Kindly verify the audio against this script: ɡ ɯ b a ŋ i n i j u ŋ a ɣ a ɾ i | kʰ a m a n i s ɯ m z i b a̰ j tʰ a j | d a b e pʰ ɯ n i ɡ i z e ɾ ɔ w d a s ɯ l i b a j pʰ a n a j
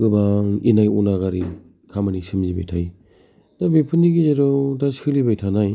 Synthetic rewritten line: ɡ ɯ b a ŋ i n a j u n a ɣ a ɾ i | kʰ a m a n i s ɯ m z i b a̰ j tʰ a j | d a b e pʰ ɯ n i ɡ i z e ɾ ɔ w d a s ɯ l i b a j tʰ a n a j